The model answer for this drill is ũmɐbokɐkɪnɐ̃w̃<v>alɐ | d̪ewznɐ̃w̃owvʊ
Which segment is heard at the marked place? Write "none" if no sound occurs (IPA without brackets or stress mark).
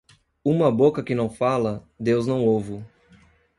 f